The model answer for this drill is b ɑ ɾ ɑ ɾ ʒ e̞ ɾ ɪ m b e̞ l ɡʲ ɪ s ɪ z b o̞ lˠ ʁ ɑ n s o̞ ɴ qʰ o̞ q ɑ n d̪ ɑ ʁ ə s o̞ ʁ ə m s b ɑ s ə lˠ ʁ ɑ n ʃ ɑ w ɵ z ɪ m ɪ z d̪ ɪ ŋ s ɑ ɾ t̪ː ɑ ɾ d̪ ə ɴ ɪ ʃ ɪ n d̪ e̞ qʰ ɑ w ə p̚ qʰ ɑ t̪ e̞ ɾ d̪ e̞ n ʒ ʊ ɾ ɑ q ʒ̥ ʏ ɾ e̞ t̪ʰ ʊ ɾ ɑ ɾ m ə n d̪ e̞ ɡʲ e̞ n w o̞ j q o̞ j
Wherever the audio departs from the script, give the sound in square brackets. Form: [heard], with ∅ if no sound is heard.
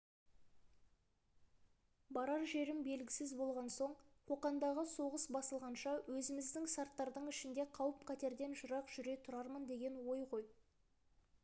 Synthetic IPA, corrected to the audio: b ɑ ɾ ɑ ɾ ʒ e̞ ɾ ɪ m b e̞ l ɡʲ ɪ s ɪ z b o̞ lˠ ʁ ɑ n s o̞ ɴ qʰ o̞ q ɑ n d̪ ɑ ʁ ə s o̞ ʁ ə [∅] s b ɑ s ə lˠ ʁ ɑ n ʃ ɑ w ɵ z ɪ m ɪ z d̪ ɪ ŋ s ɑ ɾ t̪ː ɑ ɾ d̪ ə ɴ ɪ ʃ ɪ n d̪ e̞ qʰ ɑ w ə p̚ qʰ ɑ t̪ e̞ ɾ d̪ e̞ n ʒ ʊ ɾ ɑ q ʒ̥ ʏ ɾ e̞ t̪ʰ ʊ ɾ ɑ ɾ m ə n d̪ e̞ ɡʲ e̞ n w o̞ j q o̞ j